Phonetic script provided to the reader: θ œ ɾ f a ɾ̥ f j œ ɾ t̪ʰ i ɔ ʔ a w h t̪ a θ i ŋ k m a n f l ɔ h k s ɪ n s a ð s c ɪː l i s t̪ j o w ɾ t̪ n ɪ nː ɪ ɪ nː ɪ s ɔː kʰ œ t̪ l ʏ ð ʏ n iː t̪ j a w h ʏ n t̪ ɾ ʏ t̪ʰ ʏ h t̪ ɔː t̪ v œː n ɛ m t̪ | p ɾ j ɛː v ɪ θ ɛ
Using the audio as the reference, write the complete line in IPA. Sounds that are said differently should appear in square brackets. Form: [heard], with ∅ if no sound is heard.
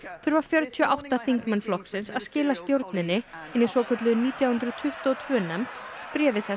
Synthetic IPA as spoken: θ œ ɾ [v] a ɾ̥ f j œ ɾ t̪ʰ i ɔ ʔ a w h t̪ a θ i ŋ k m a n f l ɔ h k s ɪ n s a ð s c ɪː l [a] s t̪ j o w ɾ t̪ n ɪ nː ɪ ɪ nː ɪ s ɔː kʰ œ t̪ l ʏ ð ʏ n iː t̪ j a w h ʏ n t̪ ɾ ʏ t̪ʰ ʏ h t̪ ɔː [t̪ʰ] v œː n ɛ m t̪ | p ɾ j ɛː v ɪ θ ɛ